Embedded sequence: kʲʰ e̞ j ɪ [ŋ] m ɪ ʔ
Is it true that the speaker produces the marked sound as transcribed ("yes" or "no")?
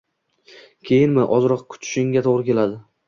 no